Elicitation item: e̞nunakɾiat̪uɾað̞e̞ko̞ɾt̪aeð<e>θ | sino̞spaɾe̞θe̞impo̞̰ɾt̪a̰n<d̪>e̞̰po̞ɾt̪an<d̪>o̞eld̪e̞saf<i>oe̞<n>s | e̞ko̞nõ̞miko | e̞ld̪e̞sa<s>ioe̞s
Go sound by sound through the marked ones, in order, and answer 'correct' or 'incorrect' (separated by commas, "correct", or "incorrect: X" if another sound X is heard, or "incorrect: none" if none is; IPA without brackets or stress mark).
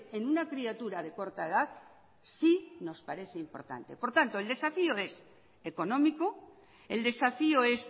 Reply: incorrect: a, incorrect: t̪, incorrect: t̪, correct, incorrect: none, incorrect: f